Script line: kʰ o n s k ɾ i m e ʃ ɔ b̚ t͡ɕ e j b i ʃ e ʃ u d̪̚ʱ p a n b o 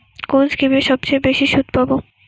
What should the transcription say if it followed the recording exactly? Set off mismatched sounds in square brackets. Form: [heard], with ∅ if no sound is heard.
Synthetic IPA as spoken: [k] o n s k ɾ i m e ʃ ɔ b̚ t͡ɕ e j b [e] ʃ [i] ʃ u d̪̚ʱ p a [∅] b o